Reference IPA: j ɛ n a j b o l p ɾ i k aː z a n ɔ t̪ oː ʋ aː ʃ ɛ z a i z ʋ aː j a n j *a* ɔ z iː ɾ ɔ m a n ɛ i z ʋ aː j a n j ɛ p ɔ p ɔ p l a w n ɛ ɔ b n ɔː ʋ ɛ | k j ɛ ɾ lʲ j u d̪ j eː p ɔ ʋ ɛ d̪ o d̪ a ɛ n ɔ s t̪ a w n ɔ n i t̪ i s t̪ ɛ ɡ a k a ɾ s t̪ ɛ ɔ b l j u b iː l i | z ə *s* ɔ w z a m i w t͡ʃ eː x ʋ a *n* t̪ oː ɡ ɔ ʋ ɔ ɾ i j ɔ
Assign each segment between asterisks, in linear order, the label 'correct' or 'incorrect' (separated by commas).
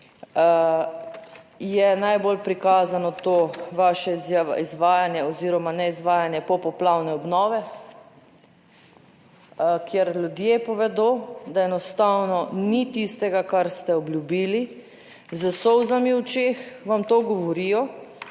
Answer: incorrect, correct, incorrect